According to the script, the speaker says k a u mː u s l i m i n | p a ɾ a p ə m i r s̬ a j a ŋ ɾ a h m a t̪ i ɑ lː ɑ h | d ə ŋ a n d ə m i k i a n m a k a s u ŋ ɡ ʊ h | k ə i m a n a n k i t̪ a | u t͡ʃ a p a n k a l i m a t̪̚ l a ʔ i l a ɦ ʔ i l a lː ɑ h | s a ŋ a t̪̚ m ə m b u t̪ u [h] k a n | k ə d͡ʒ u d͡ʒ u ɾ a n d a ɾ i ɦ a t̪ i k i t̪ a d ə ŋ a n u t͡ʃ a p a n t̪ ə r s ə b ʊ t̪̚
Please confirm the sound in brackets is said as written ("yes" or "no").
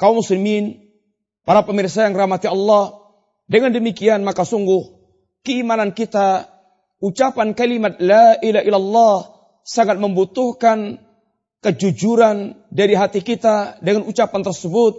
yes